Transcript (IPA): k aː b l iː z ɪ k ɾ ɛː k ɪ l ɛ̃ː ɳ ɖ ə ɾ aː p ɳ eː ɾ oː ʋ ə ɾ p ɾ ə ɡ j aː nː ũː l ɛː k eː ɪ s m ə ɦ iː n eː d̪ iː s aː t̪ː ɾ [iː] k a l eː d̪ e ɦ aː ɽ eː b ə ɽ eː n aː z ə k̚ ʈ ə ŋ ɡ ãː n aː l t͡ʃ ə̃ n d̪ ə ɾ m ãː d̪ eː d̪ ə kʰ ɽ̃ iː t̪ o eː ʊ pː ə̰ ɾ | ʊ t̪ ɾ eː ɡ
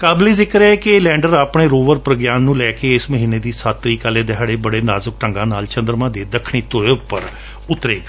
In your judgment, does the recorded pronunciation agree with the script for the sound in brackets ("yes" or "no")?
yes